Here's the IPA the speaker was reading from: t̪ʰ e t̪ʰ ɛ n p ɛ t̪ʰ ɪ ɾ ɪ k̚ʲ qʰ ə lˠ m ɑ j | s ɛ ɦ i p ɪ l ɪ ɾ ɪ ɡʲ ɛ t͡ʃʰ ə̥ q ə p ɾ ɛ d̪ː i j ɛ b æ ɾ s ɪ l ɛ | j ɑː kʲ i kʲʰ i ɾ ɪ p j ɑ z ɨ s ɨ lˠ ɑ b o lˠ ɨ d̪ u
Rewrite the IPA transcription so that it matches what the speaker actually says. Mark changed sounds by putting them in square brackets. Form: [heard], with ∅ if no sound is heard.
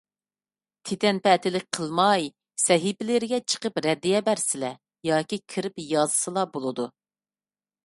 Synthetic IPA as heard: t̪ʰ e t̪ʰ ɛ n p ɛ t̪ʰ ɪ [l] ɪ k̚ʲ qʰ ə lˠ m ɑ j | s ɛ ɦ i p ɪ l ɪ ɾ ɪ ɡʲ ɛ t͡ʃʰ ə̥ q ə p ɾ ɛ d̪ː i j ɛ b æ ɾ s ɪ l ɛ | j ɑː kʲ i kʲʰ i ɾ ɪ p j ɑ z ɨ s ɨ lˠ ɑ b o lˠ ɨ d̪ u